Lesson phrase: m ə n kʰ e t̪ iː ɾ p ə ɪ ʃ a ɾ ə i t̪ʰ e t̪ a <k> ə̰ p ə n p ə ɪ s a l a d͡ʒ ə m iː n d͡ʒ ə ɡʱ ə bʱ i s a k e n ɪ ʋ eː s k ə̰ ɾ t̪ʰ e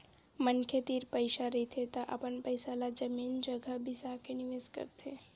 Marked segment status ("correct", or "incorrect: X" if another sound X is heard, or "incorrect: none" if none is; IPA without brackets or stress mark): incorrect: ʔ